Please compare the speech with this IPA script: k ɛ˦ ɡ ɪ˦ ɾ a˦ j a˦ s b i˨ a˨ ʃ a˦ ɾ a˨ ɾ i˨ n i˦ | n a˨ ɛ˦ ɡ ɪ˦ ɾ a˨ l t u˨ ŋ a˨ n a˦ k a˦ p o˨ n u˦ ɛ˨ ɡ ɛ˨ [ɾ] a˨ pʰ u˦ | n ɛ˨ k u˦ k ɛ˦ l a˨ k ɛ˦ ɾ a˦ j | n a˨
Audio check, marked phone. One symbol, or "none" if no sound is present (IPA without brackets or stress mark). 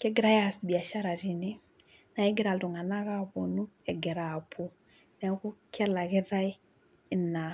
ɾ